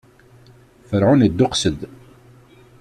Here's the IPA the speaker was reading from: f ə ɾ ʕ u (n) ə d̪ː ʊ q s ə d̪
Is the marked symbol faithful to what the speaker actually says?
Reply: yes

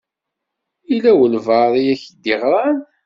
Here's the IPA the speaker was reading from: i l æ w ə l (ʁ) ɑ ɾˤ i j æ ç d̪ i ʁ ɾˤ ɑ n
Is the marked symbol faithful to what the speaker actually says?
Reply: no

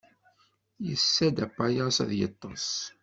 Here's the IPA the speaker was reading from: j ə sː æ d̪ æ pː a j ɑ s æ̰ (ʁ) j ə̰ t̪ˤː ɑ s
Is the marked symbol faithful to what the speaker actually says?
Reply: no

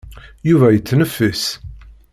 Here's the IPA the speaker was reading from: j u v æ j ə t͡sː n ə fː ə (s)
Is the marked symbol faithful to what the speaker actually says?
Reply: yes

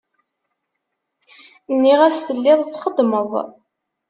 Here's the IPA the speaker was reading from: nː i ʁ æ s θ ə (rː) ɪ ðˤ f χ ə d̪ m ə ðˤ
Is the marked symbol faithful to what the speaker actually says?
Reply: no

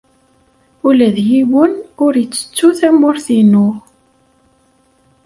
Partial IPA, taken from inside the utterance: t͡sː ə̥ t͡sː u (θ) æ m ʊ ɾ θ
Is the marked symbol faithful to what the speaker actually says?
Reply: yes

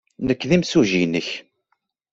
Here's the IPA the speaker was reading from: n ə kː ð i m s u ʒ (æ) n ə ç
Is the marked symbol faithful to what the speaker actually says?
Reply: no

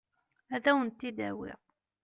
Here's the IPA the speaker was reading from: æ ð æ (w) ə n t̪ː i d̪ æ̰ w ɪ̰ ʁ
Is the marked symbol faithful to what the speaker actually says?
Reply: yes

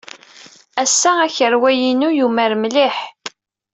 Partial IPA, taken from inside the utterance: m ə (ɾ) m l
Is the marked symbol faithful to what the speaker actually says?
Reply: yes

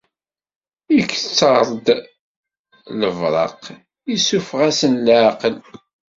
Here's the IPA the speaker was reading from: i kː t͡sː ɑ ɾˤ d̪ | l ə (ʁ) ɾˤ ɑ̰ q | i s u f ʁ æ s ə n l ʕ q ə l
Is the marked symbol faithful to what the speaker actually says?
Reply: no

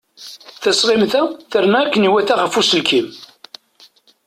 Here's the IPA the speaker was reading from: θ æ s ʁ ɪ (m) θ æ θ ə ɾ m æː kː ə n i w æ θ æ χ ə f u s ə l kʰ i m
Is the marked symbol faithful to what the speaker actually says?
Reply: yes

